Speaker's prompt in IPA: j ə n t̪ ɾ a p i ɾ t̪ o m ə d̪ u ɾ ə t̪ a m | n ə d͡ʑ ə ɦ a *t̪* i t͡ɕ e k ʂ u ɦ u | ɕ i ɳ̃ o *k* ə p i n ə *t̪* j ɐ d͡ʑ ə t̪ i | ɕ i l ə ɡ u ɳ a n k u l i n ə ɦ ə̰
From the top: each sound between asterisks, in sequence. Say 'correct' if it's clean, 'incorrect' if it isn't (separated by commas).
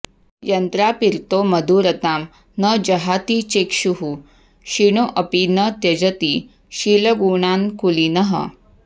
correct, incorrect, correct